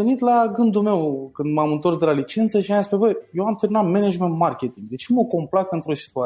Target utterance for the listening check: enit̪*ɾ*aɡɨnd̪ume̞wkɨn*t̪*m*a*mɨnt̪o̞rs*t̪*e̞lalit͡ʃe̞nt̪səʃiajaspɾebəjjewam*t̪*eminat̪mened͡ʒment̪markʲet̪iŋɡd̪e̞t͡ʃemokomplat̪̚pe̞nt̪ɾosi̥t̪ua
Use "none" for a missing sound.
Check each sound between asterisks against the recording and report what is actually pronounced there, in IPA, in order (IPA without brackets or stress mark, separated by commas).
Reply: l, d̪, a, d̪, t̪